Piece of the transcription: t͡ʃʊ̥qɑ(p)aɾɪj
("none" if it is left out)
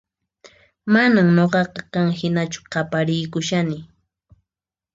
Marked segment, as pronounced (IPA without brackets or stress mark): p